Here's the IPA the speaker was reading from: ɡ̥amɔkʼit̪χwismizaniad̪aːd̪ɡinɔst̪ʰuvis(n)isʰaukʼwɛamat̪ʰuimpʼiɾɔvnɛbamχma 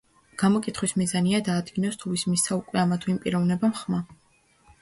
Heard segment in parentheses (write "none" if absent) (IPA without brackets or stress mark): m